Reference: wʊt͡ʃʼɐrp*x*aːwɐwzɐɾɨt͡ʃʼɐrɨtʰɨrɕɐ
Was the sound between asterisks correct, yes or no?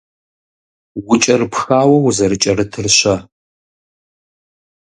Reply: yes